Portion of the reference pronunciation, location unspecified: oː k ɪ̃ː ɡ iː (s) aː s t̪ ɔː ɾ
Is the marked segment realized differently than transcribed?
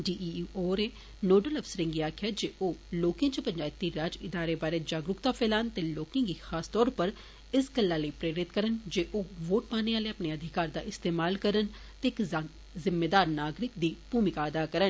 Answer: yes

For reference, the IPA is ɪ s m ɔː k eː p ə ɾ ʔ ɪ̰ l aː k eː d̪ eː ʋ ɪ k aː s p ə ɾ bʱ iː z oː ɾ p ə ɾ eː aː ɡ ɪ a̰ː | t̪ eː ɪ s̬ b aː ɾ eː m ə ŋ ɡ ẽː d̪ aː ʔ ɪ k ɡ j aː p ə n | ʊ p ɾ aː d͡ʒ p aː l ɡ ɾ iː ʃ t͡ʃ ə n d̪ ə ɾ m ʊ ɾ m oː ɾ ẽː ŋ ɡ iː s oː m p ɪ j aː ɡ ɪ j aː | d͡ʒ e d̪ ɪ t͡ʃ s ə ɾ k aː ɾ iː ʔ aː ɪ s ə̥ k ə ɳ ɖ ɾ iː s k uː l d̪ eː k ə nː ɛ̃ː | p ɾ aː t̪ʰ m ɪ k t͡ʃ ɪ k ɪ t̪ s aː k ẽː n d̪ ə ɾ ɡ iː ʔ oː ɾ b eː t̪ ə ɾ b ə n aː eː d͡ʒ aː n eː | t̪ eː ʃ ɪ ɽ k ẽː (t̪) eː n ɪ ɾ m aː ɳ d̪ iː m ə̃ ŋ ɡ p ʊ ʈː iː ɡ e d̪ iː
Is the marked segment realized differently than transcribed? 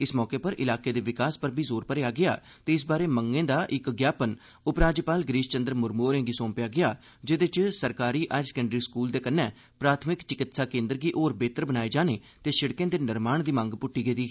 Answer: yes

